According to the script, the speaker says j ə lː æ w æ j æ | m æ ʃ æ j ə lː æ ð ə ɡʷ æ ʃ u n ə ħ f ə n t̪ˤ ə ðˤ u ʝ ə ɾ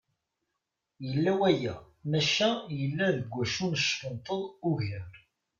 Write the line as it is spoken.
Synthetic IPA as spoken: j ə lː æ w æ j æ | m æ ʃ æ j ə lː æ ð ə ɡʷ æ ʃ u n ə ʃ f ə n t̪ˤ ə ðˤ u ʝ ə ɾ